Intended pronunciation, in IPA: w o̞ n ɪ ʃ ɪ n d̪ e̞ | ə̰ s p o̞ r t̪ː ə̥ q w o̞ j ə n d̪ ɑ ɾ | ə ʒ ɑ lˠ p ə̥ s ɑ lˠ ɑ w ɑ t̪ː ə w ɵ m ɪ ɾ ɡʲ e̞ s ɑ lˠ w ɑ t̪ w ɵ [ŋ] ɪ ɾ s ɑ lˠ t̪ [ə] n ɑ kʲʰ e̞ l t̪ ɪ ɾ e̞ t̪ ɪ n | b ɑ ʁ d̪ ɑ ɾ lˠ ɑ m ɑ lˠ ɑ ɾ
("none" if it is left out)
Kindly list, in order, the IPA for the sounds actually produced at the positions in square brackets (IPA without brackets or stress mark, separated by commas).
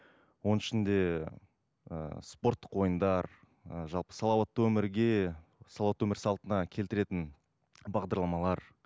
m, ə